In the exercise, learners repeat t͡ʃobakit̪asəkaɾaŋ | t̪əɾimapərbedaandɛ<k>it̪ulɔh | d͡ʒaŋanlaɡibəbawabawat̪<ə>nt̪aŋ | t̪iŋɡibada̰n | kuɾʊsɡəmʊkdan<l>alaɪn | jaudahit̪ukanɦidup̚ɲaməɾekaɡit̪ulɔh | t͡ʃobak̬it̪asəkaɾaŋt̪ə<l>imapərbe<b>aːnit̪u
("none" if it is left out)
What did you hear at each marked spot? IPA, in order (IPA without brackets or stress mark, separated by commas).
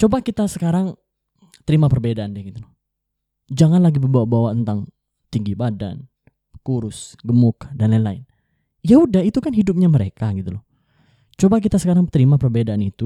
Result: ɡ, ə, l, ɾ, d